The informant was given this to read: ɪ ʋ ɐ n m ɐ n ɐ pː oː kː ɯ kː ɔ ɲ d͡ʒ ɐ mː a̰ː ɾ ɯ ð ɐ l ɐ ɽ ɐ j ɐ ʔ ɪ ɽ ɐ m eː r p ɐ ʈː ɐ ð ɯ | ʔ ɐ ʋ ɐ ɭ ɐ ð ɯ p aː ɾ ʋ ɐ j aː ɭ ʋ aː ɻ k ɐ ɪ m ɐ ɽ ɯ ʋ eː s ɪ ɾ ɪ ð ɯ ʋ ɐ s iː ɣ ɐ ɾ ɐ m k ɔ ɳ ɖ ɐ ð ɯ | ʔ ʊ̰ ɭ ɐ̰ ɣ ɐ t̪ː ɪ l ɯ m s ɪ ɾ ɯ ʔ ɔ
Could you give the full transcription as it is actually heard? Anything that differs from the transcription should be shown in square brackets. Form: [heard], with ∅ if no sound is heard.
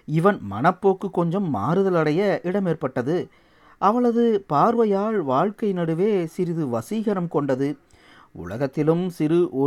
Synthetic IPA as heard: ɪ ʋ ɐ n m ɐ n ɐ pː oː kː ɯ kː ɔ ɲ d͡ʒ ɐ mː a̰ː ɾ ɯ ð ɐ l ɐ ɽ ɐ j ɐ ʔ ɪ ɽ ɐ m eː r p ɐ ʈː ɐ ð ɯ | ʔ ɐ ʋ ɐ ɭ ɐ ð ɯ p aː ɾ ʋ ɐ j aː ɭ ʋ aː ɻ k ɐ ɪ [n] ɐ ɽ ɯ ʋ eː s ɪ ɾ ɪ ð ɯ ʋ ɐ s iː ɣ ɐ ɾ ɐ m k ɔ ɳ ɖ ɐ ð ɯ | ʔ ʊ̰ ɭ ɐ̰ ɣ ɐ t̪ː ɪ l ɯ m s ɪ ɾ ɯ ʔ ɔ